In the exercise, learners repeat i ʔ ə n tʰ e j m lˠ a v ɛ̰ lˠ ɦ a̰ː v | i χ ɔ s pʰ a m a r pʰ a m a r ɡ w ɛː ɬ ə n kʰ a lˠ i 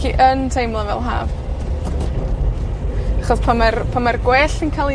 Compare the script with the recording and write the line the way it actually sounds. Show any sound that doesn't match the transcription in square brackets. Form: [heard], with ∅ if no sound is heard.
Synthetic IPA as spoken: i ʔ ə n tʰ e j m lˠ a v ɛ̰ lˠ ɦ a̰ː v | [a] χ ɔ s pʰ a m a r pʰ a m a r ɡ w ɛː ɬ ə n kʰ a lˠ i